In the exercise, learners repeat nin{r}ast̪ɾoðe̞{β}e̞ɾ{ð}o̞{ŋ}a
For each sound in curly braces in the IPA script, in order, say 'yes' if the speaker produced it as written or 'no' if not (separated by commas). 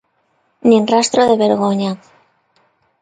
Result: yes, yes, no, no